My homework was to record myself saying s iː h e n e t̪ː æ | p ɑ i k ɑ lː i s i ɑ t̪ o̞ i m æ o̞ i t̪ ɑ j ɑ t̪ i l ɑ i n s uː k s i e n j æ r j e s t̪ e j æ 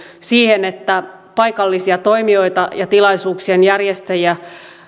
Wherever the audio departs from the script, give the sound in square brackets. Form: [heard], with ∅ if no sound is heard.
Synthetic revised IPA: s iː h e n e t̪ː æ | p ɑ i k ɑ lː i s i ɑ t̪ o̞ i m [i] o̞ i t̪ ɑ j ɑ t̪ i l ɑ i [∅] s uː k s i e n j æ r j e s t̪ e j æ